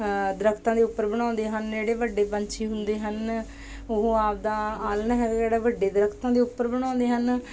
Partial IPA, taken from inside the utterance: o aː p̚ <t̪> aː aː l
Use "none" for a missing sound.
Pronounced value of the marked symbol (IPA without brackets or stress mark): d̪